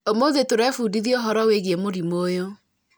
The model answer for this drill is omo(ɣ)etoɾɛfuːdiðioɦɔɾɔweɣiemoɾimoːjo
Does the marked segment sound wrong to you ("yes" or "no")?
yes